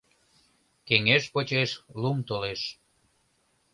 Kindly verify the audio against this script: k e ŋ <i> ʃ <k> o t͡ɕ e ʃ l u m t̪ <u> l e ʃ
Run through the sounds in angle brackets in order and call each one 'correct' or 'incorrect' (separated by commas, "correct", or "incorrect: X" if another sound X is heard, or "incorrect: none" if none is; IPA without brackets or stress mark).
incorrect: e, incorrect: p, incorrect: o